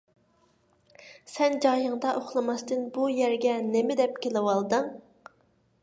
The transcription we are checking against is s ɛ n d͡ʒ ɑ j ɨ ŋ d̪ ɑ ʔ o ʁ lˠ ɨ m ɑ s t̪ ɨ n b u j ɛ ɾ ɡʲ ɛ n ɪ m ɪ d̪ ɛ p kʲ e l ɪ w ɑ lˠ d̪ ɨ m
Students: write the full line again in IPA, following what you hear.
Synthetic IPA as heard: s ɛ n d͡ʒ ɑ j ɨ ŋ d̪ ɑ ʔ o χ lˠ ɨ m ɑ s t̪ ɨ n b u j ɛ ɾ ɡʲ ɛ n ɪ m ɪ d̪ ɛ p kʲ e l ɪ w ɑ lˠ d̪ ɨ ŋ